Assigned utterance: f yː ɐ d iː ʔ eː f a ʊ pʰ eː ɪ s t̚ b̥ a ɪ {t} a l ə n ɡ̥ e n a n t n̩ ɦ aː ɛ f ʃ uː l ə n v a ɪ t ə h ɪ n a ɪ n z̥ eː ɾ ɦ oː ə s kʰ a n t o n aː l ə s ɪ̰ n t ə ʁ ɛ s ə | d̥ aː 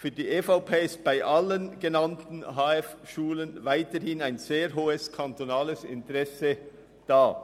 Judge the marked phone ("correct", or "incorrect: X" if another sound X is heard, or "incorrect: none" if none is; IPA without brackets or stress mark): incorrect: ʔ